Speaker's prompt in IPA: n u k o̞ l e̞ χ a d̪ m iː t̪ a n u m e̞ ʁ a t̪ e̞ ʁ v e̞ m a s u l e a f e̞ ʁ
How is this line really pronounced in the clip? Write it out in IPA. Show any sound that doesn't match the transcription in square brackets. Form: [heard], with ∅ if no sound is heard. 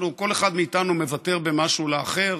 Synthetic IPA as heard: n u k o̞ l e̞ χ a d̪ m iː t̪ a n u m e̞ [v] a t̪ e̞ ʁ [b] e̞ m a [ʃ] u l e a [χ] e̞ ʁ